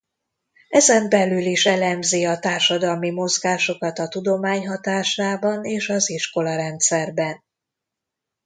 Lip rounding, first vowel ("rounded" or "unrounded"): unrounded